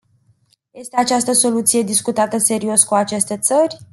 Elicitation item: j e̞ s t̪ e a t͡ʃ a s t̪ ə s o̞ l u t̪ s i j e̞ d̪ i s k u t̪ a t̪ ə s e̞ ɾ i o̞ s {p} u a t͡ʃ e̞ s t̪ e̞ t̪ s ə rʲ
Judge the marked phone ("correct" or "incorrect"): incorrect